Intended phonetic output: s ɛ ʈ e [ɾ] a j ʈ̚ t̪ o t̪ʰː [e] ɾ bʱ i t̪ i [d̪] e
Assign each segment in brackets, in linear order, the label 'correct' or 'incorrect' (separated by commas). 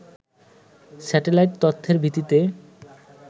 incorrect, correct, incorrect